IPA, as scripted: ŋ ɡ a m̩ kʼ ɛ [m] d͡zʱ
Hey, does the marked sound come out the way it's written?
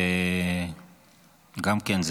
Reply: no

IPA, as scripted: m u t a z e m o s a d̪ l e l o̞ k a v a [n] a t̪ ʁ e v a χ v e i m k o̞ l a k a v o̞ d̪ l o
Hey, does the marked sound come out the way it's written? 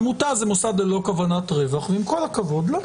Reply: yes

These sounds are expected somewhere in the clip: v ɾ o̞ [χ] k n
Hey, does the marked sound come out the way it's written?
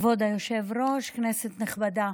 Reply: no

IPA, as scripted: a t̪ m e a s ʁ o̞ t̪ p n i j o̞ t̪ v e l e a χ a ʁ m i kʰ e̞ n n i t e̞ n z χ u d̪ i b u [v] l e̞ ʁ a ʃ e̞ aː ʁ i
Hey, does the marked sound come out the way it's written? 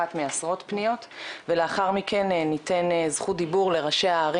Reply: no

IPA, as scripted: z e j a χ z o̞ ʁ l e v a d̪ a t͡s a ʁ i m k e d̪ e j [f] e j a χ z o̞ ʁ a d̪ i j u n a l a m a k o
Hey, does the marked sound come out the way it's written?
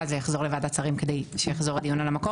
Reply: no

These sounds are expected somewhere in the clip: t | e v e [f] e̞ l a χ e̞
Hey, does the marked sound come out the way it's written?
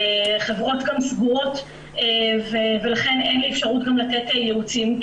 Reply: no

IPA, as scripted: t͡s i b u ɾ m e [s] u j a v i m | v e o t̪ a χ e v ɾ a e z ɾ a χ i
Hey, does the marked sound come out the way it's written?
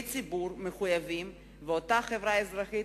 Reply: no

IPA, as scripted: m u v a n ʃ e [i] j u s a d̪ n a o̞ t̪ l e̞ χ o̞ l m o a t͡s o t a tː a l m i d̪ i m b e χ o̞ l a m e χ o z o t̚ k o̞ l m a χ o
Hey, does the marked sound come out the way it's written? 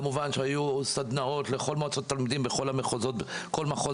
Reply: no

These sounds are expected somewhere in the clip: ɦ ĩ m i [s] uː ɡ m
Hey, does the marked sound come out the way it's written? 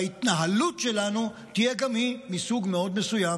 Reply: yes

